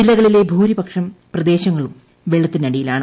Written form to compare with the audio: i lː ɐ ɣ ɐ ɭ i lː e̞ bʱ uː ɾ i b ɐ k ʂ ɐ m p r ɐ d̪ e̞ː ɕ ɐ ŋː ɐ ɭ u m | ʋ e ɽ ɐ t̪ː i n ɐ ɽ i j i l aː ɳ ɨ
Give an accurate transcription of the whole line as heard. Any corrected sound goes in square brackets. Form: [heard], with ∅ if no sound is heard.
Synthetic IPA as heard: i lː ɐ ɣ ɐ ɭ i [l] e̞ bʱ uː ɾ i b ɐ k ʂ ɐ m p r ɐ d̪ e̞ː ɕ ɐ ŋː ɐ ɭ u m | ʋ e [ɭ] ɐ t̪ː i n ɐ ɽ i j i l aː ɳ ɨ